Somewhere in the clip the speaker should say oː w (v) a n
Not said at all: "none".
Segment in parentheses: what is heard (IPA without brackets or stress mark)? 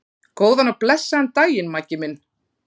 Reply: ð